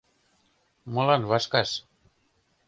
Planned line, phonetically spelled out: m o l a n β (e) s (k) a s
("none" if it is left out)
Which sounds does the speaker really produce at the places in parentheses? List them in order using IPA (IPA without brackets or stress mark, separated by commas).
a, k